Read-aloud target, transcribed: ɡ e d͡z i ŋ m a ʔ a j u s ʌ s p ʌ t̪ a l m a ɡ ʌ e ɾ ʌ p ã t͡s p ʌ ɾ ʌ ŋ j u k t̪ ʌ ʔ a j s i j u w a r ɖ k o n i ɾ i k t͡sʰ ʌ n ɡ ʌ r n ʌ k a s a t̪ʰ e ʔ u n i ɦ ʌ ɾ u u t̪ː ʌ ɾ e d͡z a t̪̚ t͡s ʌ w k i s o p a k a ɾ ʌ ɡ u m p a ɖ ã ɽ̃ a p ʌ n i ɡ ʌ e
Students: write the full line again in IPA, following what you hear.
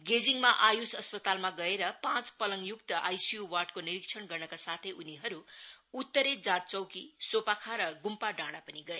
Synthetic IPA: ɡ e d͡z i ŋ m a ʔ a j u s ʌ s p ʌ t̪ a l m a ɡ ʌ e ɾ ʌ p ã t͡s p ʌ l ʌ ŋ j u k t̪ ʌ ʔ a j s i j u w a r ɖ k o n i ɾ i k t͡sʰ ʌ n ɡ ʌ r n ʌ k a s a t̪ʰ e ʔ u n i ɦ ʌ ɾ u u t̪ː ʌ ɾ e d͡z a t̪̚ t͡s ʌ w k i s o p a kʰ a ɾ ʌ ɡ u m p a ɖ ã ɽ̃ a p ʌ n i ɡ ʌ e

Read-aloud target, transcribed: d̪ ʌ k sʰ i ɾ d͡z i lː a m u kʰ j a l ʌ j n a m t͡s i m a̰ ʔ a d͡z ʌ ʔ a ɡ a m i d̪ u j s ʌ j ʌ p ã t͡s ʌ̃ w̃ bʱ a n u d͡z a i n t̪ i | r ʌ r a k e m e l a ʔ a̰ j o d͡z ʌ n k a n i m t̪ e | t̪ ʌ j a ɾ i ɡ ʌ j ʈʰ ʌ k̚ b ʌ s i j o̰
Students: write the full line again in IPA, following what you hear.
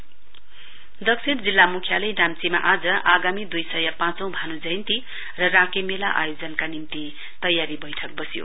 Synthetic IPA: d̪ ʌ k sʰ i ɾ d͡z i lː a m u kʰ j a l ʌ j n a m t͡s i m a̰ ʔ a d͡z ʌ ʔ a ɡ a m i d̪ u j s ʌ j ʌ p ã t͡s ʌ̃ w̃ bʱ a n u d͡z ʌ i n t̪ i | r ʌ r a k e m e l a ʔ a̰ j o d͡z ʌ n k a n i m t̪ i | t̪ ʌ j a ɾ i b ʌ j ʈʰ ʌ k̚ b ʌ s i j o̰

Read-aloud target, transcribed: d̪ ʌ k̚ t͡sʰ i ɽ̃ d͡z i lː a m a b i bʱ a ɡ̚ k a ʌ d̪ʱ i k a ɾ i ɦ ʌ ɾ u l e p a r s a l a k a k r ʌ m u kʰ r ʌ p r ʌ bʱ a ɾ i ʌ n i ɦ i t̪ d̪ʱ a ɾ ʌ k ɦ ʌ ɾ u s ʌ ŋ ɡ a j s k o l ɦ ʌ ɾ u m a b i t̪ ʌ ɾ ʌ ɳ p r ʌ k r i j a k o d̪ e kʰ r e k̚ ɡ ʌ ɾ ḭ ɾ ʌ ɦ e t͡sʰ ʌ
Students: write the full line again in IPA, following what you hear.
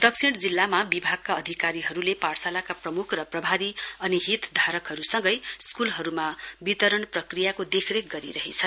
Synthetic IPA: d̪ ʌ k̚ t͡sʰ i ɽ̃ d͡z i lː a m a b i bʱ a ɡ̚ k a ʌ d̪ʱ i k a ɾ i ɦ ʌ ɾ u l e p a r s a l a k a p r ʌ m u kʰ r ʌ p r ʌ bʱ a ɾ i ʌ n i ɦ i t̪ d̪ʱ a ɾ ʌ k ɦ ʌ ɾ u s ʌ ŋ ɡ ʌ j s k u l ɦ ʌ ɾ u m a b i t̪ ʌ ɾ ʌ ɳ p r ʌ k r i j a k o d̪ e kʰ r e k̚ ɡ ʌ ɾ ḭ ɾ ʌ ɦ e t͡sʰ ʌ

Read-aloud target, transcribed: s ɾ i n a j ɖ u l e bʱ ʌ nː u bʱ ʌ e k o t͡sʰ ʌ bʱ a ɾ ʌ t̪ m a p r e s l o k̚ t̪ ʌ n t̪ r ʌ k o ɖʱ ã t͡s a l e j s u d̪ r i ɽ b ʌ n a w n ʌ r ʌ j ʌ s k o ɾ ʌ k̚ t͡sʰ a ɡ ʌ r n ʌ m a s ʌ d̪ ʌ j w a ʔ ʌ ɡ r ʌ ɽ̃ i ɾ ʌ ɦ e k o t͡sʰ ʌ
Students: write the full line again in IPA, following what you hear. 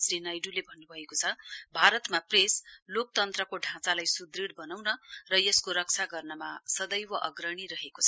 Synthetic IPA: s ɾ i n a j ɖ u l e bʱ ʌ nː u bʱ ʌ e k o t͡sʰ ʌ bʱ a ɾ ʌ t̪ m a p r e s l o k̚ t̪ ʌ n t̪ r ʌ k o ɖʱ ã t͡s a l a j s u d̪ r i ɽ b ʌ n a w n ʌ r ʌ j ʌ s k o ɾ ʌ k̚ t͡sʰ a ɡ ʌ r n ʌ m a s ʌ d̪ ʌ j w ʌ ʔ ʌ ɡ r ʌ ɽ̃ i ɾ ʌ ɦ e k o t͡sʰ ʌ

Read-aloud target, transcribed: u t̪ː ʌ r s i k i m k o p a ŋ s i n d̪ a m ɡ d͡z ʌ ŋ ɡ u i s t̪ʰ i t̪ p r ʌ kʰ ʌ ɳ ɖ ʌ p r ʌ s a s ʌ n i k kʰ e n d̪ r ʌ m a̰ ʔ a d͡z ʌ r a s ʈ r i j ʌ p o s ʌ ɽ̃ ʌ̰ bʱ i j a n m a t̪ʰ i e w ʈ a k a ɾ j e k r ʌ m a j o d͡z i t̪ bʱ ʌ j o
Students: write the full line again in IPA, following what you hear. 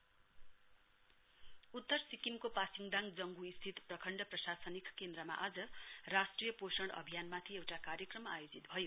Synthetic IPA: u t̪ː ʌ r s i k i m k o p a s i ŋ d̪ a ŋ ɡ d͡z ʌ ŋ ɡ u i s t̪ʰ i t̪ p r ʌ kʰ ʌ ɳ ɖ ʌ p r ʌ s a s ʌ n i k k e n d̪ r ʌ m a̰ ʔ a d͡z ʌ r a s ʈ r i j ʌ p o s ʌ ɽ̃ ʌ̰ bʱ i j a n m a t̪ʰ i e w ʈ a k a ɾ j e k r ʌ m a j o d͡z i t̪ bʱ ʌ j o

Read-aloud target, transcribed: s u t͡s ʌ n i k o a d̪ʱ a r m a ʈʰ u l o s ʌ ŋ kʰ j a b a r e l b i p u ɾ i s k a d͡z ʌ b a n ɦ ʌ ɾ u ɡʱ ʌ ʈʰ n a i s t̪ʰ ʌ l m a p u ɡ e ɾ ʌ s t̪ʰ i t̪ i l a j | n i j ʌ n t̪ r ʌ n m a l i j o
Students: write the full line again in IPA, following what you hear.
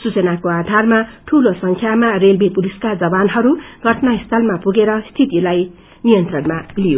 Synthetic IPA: s u t͡s ʌ n a k o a d̪ʱ a r m a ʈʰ u l o s ʌ ŋ kʰ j a m a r e l b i p u l i s k a d͡z ʌ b a n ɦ ʌ ɾ u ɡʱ ʌ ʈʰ n a i s t̪ʰ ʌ l m a p u ɡ e ɾ ʌ s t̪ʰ i t̪ i l a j | n i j ʌ n t̪ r ʌ n m a l i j o

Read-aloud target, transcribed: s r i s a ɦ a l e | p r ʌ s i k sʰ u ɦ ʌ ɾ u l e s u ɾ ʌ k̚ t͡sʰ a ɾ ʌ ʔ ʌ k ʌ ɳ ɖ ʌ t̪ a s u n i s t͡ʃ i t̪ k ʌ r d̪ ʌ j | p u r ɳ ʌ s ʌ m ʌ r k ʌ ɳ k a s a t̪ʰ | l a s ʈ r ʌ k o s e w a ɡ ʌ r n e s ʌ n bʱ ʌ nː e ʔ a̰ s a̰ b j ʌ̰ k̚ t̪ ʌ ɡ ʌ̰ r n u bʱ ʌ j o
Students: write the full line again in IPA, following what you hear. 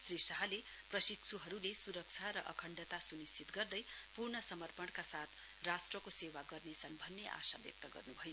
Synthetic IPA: s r i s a ɦ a l e | p r ʌ s i k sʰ u ɦ ʌ ɾ u l e s u ɾ ʌ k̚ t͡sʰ a ɾ ʌ ʔ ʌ kʰ ʌ ɳ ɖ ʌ t̪ a s u n i s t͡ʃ i t̪ ɡ ʌ r d̪ ʌ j | p u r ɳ ʌ s ʌ m ʌ r p ʌ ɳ k a s a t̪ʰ | r a s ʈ r ʌ k o s e w a ɡ ʌ r n e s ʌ n bʱ ʌ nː e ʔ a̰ s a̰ b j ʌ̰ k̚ t̪ ʌ ɡ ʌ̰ r n u bʱ ʌ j o

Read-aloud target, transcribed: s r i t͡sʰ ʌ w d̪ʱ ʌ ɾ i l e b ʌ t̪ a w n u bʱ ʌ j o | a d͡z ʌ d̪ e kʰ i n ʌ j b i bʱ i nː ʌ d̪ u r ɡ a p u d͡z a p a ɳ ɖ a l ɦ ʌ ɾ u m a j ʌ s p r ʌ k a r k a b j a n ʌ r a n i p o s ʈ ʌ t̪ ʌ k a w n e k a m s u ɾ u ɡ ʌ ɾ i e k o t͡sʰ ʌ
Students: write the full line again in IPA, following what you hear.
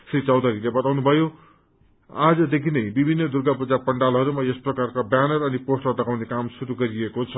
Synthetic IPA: s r i t͡s ʌ w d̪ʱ ʌ ɾ i l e b ʌ t̪ a w n u bʱ ʌ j o | a d͡z ʌ d̪ e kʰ i n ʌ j b i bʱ i nː ʌ d̪ u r ɡ a p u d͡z a p ʌ ɳ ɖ a l ɦ ʌ ɾ u m a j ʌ s p r ʌ k a r k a b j a n ʌ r ʌ n i p o s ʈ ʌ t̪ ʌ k a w n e k a m s u ɾ u ɡ ʌ ɾ i e k o t͡sʰ ʌ

